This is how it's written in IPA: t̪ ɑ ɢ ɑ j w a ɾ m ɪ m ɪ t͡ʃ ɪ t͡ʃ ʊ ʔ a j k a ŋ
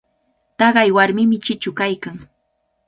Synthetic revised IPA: t̪ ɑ ɢ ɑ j w a ɾ m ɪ m ɪ t͡ʃ ɪ t͡ʃ ʊ k a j k a ŋ